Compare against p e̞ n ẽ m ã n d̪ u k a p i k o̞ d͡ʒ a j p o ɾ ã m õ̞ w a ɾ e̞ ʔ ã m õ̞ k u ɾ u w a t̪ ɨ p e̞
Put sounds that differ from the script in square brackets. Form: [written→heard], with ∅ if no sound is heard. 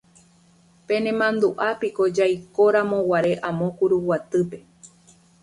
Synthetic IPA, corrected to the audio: p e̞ n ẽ m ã n d̪ u [k→ʔ] a p i k o̞ d͡ʒ a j [p→k] o ɾ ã m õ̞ w a ɾ e̞ ʔ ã m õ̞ k u ɾ u w a t̪ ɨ p e̞